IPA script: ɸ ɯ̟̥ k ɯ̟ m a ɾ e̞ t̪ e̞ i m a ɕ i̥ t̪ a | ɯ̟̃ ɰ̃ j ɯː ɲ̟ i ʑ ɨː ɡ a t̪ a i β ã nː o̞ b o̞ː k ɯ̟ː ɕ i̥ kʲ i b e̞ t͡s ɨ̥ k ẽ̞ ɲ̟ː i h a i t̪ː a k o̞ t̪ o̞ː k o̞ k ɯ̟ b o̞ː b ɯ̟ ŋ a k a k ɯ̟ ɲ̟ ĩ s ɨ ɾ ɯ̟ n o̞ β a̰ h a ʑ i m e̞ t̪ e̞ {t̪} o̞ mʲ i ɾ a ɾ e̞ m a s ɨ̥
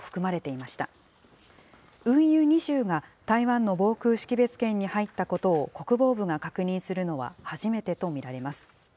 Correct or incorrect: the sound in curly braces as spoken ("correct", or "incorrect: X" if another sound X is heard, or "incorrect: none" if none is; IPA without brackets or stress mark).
correct